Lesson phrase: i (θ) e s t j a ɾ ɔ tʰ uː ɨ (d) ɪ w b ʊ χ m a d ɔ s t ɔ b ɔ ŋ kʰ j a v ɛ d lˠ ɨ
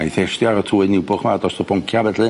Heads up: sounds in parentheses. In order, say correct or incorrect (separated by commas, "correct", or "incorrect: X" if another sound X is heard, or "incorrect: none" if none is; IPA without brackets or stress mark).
correct, incorrect: n